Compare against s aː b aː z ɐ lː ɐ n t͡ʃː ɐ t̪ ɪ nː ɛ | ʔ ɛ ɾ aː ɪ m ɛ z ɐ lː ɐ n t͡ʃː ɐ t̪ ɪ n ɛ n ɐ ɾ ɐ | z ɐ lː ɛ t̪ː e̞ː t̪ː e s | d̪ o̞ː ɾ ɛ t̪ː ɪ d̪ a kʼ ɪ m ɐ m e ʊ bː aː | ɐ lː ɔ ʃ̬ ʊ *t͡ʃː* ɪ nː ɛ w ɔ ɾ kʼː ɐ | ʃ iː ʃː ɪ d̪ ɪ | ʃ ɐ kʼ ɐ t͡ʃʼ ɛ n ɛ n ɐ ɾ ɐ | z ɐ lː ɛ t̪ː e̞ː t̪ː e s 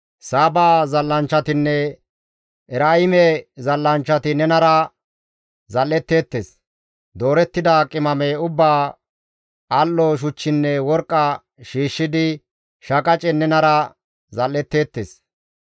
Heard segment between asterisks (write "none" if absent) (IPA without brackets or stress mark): t͡ʃː